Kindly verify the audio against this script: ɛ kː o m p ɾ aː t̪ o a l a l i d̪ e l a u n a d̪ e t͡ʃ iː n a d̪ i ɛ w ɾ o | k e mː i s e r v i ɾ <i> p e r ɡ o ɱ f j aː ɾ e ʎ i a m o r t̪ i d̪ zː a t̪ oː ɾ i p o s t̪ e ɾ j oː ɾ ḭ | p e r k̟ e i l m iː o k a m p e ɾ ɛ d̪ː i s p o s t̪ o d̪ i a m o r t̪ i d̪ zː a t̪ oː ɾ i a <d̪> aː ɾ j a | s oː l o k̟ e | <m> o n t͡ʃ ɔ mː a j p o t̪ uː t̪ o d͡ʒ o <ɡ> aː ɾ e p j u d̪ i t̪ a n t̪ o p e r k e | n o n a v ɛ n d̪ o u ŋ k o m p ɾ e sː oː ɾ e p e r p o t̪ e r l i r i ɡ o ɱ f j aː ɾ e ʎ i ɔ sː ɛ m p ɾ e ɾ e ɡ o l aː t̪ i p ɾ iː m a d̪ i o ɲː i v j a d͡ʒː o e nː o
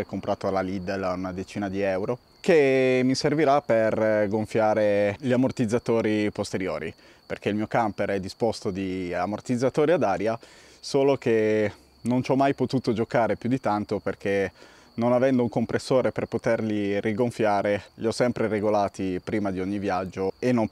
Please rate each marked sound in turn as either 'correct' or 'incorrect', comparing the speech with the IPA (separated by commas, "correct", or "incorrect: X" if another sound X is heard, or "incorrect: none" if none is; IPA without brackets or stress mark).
incorrect: a, correct, incorrect: n, incorrect: k